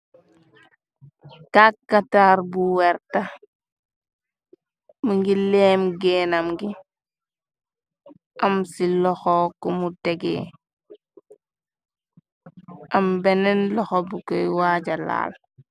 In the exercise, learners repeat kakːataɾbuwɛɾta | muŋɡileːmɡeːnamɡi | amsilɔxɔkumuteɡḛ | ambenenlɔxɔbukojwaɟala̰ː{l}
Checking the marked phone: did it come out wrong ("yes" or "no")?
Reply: no